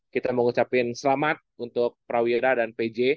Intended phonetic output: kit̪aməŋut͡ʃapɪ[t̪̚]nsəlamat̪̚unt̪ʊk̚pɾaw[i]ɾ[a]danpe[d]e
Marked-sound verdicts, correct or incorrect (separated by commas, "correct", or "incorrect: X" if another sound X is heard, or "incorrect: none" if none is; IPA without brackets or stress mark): incorrect: none, correct, correct, incorrect: d͡ʒ